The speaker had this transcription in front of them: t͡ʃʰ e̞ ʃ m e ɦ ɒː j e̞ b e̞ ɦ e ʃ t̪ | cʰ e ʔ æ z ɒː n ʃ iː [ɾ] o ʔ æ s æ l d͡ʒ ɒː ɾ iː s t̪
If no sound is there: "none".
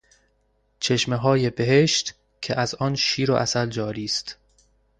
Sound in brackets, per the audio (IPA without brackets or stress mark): ɾ